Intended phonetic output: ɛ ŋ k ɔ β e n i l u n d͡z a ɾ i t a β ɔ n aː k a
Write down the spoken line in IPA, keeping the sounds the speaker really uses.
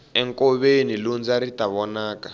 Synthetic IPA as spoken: ɛ ŋ k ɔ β e n i l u n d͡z a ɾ i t a β ɔ n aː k a

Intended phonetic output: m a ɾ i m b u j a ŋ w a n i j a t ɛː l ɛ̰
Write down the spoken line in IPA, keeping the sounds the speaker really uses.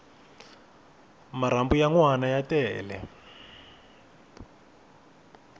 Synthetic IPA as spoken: m a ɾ a m b u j a ŋ w a n a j a t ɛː l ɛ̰

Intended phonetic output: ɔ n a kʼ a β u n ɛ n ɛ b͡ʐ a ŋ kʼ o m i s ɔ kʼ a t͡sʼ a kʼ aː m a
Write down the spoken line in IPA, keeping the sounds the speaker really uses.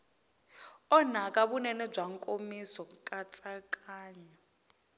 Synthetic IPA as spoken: ɔ n a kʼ a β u n ɛ n ɛ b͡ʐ a ŋ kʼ o m i s ɔ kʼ a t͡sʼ a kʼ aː ɲ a

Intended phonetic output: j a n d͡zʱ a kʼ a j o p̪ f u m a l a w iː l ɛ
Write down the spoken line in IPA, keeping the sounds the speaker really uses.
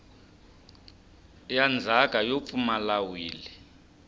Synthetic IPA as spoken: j a n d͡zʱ a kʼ a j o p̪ f u m a l a w iː l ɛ

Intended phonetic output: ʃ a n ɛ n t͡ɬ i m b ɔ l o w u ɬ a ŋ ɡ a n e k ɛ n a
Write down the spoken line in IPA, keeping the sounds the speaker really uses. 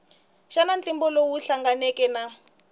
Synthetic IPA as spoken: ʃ a n a n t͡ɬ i m b ɔ l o w u ɬ a ŋ ɡ a n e k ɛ n a

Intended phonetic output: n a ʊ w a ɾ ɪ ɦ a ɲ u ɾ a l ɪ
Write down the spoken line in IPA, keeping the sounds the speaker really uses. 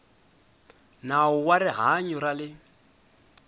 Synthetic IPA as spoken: n a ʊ w a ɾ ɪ ɦ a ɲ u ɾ a l ɪ

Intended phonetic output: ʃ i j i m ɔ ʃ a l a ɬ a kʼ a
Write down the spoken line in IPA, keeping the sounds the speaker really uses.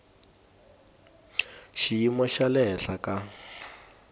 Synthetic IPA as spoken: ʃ i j i m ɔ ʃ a l ɛ ɬ a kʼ a

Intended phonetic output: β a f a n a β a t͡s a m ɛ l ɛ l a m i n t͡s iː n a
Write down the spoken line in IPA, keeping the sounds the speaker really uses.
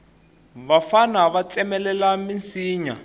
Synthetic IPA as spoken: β a f a n a β a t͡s ɛ m ɛ l ɛ l a m i n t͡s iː ɲ a

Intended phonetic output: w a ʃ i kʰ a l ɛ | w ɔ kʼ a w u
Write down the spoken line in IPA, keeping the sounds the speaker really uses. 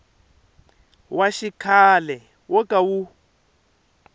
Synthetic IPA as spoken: w a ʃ i kʰ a l ɛ | w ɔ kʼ a w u

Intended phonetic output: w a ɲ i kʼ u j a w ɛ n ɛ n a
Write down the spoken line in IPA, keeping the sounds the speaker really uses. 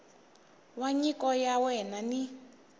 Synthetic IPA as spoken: w a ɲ i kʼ ɔ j a w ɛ n a n i

